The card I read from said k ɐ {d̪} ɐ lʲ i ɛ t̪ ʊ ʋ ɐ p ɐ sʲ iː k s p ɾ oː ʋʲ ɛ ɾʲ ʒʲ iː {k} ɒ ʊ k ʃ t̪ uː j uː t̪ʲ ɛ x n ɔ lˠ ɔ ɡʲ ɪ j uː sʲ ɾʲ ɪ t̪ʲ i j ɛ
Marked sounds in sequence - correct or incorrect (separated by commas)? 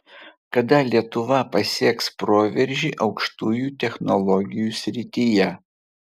correct, incorrect